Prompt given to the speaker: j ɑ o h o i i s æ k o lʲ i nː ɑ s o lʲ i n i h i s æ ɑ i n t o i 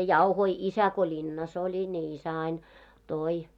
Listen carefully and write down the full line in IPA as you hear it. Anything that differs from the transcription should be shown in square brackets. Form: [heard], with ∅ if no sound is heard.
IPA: j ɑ [u] h o i i s æ k o lʲ i nː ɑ s o lʲ i n i [∅] i s æ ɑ i n t o i